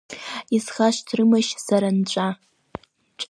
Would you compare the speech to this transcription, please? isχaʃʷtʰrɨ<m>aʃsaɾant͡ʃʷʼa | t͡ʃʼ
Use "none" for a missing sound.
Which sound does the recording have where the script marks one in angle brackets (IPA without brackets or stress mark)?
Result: m